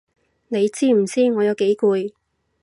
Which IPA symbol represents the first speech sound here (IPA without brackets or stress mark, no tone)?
n